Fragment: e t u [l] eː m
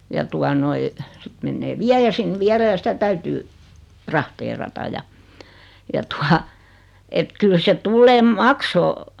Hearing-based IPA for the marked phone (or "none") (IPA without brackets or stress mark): lː